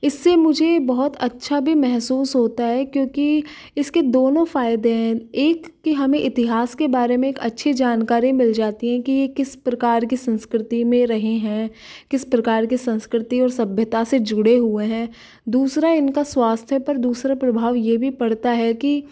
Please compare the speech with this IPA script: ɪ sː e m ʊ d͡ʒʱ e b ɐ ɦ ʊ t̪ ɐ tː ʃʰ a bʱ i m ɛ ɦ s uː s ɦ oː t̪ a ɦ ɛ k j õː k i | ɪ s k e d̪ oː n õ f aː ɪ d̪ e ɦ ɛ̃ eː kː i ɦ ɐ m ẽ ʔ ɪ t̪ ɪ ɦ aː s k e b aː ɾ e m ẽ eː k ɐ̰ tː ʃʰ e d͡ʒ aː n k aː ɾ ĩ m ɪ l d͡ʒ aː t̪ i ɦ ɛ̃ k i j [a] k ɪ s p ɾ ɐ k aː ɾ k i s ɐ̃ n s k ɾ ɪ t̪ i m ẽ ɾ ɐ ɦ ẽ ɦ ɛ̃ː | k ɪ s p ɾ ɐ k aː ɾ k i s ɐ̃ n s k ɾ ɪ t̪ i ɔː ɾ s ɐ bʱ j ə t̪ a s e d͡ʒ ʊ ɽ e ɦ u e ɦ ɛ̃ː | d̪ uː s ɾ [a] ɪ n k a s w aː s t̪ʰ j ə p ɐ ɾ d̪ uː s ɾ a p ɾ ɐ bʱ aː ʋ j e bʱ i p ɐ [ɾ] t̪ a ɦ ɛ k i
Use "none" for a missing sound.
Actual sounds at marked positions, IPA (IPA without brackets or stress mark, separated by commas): e, a, ɽ